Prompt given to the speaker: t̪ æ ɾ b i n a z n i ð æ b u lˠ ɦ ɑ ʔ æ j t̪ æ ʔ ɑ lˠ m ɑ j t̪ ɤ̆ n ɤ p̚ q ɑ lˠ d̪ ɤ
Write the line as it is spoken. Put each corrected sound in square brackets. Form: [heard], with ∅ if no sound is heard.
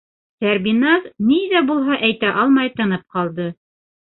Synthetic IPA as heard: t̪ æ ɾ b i n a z n i ð æ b u lˠ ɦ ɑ ʔ æ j t̪ æ ʔ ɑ lˠ m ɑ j t̪ ɤ̆ n ɤ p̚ q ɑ lˠ d̪ ɤ

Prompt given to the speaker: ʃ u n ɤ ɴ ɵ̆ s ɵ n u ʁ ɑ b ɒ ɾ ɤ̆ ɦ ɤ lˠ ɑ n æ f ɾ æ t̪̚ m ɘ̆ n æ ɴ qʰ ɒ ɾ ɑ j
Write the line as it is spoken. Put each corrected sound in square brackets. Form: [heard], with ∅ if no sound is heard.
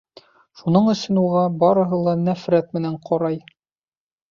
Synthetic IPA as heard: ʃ u n ɤ ɴ ɵ̆ s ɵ n u ʁ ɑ b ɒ ɾ ɤ̆ ɦ ɤ lˠ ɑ n æ f ɾ æ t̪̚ m ɘ̆ n æ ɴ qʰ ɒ ɾ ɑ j

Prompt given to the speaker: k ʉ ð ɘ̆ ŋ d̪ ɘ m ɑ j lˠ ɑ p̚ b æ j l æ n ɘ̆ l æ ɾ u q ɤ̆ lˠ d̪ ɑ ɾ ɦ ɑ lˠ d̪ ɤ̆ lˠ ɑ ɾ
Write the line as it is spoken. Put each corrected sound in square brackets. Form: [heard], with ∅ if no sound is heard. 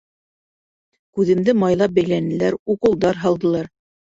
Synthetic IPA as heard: k ʉ ð ɘ̆ [m] d̪ ɘ m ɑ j lˠ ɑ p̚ b æ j l æ n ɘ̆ l æ ɾ u q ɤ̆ lˠ d̪ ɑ ɾ ɦ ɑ lˠ d̪ ɤ̆ lˠ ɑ ɾ

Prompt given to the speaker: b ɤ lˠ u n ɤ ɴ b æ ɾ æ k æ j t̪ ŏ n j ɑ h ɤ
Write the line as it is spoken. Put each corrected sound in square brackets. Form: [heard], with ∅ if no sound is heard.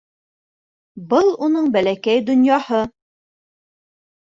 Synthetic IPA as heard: b ɤ lˠ u n ɤ ɴ b æ [l] æ k æ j [d̪] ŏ n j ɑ h ɤ

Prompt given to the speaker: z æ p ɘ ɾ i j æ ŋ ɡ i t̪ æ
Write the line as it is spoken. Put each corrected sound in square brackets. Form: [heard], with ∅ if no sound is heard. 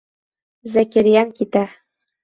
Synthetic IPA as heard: z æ [k] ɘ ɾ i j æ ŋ [k] i t̪ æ

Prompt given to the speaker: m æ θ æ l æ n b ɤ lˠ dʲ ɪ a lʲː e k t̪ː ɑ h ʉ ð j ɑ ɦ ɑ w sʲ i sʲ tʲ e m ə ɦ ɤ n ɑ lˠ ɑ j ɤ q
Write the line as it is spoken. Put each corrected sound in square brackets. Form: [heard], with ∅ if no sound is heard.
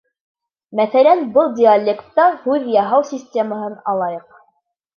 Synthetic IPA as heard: m æ θ æ l æ n b ɤ lˠ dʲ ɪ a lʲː e k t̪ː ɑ h ʉ ð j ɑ ɦ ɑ w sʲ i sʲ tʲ e m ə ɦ ɤ n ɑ lˠ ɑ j ɤ q

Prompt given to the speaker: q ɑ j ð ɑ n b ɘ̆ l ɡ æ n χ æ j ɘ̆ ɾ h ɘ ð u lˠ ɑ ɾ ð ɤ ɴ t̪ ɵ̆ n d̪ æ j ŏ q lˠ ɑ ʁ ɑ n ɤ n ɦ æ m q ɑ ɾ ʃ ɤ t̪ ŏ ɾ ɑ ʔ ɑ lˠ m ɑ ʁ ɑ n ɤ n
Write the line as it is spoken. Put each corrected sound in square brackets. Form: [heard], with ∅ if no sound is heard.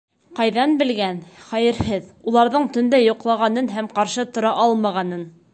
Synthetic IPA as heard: q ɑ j ð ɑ n b ɘ̆ l ɡ æ n χ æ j ɘ̆ ɾ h ɘ ð u lˠ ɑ ɾ ð ɤ ɴ t̪ ɵ̆ n d̪ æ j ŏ q lˠ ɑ ʁ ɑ n ɤ n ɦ æ m q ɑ ɾ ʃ ɤ t̪ ŏ ɾ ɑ ʔ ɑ lˠ m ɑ ʁ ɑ n ɤ n

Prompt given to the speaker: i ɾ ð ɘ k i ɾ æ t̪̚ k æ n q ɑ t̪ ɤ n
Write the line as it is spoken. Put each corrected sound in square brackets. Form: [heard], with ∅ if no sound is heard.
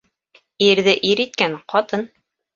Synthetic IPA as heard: i ɾ ð ɘ [ʔ] i ɾ [i] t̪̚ k æ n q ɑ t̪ ɤ n

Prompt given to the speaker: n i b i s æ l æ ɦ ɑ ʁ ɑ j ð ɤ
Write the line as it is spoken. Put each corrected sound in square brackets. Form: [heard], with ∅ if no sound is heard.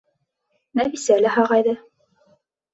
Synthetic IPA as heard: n [æ] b i s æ l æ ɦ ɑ ʁ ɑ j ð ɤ

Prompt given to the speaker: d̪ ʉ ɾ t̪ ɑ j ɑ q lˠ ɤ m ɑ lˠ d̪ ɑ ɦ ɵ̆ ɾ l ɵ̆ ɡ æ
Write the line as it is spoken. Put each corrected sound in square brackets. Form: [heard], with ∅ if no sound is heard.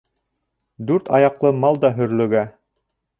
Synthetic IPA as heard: d̪ ʉ ɾ t̪ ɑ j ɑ q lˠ ɤ m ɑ lˠ d̪ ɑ ɦ ɵ̆ ɾ l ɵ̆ ɡ æ

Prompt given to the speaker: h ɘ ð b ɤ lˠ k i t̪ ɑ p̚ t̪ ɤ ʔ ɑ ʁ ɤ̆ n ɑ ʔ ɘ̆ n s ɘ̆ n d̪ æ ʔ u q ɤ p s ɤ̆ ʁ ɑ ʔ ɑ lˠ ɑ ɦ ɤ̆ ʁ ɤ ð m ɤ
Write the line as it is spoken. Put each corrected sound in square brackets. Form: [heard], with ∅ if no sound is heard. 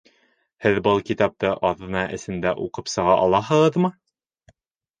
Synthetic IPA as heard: h ɘ ð b ɤ lˠ k i t̪ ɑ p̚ t̪ ɤ ʔ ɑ [ð] ɤ̆ n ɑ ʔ ɘ̆ [∅] s ɘ̆ n d̪ æ ʔ u q ɤ p s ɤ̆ ʁ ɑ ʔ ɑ lˠ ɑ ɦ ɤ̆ ʁ ɤ ð m ɤ

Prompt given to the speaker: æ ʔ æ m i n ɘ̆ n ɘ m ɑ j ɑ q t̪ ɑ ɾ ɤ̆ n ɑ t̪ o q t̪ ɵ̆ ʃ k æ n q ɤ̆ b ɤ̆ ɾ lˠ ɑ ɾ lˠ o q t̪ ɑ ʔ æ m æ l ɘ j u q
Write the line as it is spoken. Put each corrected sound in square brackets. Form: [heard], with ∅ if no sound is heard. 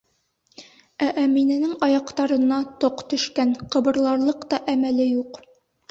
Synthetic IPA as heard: æ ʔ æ m i n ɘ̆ n ɘ [ŋ] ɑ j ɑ q t̪ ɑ ɾ ɤ̆ n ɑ t̪ o q t̪ ɵ̆ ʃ k æ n q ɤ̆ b ɤ̆ ɾ lˠ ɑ ɾ lˠ [ɤ] q t̪ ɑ ʔ æ m æ l ɘ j u q

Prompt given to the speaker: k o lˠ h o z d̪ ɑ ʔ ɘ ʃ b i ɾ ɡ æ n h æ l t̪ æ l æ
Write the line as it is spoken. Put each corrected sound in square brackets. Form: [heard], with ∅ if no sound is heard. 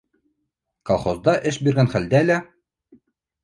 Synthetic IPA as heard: k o lˠ [χ] o z d̪ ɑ ʔ ɘ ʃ b i ɾ ɡ æ n [χ] æ l [d̪] æ l æ

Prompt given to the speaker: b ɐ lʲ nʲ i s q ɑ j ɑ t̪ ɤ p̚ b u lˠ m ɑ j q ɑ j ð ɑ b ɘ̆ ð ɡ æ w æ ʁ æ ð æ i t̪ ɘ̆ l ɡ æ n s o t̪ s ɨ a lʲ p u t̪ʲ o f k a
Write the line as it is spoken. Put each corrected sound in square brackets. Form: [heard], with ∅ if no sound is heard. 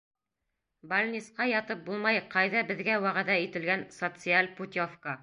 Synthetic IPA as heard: b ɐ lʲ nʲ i s q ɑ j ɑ t̪ ɤ p̚ b u lˠ m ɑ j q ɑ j ð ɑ b ɘ̆ ð ɡ æ w æ ʁ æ ð æ i t̪ ɘ̆ l ɡ æ n s o t̪ s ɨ a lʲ p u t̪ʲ o f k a

